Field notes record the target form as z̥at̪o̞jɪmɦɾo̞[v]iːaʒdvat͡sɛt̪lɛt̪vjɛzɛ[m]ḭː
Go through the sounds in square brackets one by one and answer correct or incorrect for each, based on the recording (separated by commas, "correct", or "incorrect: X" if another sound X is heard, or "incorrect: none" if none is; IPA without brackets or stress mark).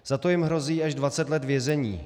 incorrect: z, incorrect: ɲ